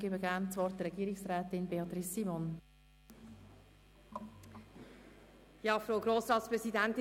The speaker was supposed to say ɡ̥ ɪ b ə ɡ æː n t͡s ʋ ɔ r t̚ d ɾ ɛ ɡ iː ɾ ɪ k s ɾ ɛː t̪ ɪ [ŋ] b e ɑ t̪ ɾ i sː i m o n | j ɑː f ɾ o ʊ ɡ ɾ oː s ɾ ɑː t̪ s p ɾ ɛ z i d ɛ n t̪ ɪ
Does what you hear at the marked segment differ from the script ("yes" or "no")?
yes